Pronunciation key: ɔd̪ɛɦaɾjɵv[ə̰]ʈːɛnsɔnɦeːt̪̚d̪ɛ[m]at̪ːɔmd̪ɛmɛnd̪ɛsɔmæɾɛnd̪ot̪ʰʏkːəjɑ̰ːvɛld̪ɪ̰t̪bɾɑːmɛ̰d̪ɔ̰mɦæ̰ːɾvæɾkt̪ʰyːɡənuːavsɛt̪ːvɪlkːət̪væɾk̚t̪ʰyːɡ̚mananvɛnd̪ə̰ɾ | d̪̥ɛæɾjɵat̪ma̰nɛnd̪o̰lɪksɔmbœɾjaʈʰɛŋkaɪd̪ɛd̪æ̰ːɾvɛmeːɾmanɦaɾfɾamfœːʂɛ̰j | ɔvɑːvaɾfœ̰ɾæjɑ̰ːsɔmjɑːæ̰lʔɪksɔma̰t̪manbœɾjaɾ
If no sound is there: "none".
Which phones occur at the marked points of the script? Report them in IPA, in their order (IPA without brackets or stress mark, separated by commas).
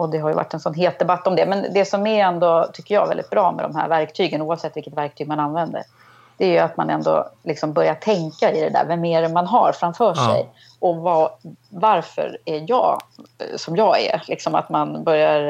a̰, b